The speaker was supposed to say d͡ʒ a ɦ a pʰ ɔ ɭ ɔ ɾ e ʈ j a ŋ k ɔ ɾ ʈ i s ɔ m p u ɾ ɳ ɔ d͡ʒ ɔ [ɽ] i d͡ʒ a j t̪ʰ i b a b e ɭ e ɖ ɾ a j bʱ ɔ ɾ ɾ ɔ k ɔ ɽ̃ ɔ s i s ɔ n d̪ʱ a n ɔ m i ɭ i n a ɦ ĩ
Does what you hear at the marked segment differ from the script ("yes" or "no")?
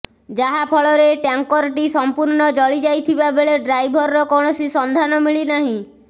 yes